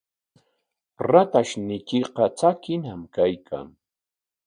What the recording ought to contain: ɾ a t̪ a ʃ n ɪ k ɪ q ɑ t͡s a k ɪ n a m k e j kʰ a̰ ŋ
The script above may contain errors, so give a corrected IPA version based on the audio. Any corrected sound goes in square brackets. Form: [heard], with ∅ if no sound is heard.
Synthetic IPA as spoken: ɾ a t̪ a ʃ n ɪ k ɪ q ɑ t͡s a k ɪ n a m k [a] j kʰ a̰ ŋ